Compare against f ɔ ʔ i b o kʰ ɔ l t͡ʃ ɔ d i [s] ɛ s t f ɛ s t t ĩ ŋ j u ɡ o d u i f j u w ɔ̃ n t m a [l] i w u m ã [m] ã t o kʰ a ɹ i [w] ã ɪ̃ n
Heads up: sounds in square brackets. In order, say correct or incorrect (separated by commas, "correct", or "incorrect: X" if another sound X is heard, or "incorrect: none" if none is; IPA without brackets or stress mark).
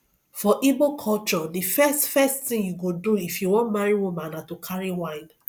incorrect: f, incorrect: ɹ, incorrect: n, correct